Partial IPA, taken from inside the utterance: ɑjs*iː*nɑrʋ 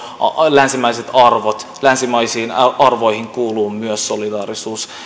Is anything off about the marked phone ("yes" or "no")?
no